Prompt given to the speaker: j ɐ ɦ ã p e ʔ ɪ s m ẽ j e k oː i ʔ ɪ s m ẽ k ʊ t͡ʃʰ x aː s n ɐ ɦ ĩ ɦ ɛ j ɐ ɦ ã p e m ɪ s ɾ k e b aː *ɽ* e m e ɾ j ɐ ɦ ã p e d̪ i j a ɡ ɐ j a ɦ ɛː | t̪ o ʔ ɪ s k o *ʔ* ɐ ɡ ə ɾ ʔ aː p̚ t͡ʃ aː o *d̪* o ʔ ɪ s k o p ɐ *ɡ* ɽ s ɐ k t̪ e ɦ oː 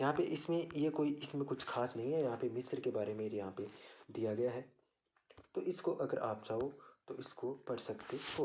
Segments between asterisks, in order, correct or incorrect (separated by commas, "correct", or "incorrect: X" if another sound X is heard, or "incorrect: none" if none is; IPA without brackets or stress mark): incorrect: ɾ, correct, incorrect: t̪, incorrect: none